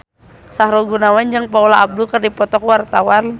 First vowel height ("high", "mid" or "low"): low